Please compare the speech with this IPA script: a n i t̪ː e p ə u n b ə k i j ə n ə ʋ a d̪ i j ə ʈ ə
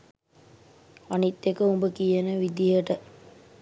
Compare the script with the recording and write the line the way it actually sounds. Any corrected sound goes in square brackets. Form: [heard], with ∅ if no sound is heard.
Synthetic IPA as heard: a n i t̪ː e [k] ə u [m] b ə k i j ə n ə ʋ [i] d̪ i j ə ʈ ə